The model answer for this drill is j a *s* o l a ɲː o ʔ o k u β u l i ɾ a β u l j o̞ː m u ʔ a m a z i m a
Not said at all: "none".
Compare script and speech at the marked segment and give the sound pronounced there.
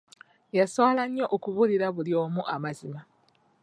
s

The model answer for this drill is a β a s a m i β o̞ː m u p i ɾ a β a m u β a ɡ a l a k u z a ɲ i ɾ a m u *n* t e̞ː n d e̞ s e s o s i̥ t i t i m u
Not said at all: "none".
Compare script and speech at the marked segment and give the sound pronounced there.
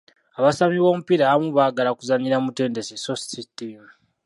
none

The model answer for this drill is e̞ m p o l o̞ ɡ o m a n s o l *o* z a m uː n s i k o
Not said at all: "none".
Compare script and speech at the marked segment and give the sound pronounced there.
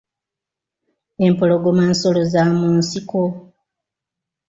o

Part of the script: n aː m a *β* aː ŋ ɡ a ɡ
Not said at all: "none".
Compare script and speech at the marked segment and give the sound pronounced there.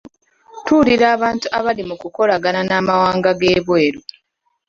w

